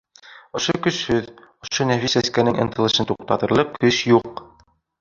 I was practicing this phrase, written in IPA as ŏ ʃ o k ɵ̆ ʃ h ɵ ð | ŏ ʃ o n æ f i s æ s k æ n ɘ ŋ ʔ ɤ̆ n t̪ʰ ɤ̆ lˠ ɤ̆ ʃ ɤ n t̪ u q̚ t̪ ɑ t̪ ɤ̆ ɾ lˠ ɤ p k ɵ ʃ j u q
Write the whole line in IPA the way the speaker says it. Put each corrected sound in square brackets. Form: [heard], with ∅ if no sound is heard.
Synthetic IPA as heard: ŏ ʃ o k ɵ̆ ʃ h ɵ ð | ŏ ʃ o n æ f i s æ s k æ n ɘ ŋ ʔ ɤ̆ n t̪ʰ ɤ̆ lˠ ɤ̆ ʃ ɤ n t̪ u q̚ t̪ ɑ t̪ ɤ̆ ɾ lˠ ɤ [q] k ɵ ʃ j u q